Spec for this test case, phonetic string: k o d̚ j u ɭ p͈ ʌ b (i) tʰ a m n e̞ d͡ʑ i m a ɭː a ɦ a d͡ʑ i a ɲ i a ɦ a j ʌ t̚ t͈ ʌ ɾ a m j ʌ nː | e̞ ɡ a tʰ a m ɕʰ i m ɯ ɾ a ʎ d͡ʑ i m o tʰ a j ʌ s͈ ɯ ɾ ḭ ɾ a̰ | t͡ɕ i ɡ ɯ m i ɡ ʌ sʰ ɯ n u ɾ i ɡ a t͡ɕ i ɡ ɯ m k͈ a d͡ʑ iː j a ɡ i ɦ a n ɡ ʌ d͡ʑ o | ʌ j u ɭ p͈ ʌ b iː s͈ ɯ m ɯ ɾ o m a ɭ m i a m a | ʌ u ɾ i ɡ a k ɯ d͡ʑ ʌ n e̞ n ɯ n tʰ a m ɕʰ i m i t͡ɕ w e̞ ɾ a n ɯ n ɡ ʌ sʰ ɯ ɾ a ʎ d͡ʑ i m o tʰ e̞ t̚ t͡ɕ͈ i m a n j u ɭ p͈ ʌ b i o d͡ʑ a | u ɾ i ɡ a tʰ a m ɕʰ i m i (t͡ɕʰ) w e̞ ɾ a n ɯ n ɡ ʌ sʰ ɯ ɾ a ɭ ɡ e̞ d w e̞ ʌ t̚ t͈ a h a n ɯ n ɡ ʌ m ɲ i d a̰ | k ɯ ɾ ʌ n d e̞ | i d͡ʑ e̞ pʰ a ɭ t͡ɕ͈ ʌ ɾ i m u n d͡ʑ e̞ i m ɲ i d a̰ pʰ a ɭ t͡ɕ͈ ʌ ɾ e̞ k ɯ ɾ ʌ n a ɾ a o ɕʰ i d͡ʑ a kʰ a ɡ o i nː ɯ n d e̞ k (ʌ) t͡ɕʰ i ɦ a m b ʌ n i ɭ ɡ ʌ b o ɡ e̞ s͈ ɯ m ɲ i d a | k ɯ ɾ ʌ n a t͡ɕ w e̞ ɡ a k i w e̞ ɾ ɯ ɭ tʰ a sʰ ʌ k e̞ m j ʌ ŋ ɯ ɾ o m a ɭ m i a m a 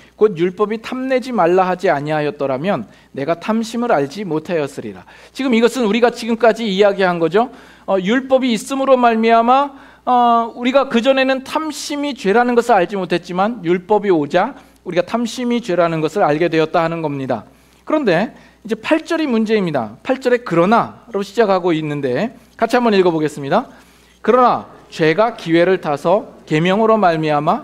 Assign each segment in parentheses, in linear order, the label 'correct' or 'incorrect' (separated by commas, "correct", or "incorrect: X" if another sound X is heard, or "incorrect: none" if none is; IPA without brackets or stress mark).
correct, incorrect: t͡ɕ, incorrect: a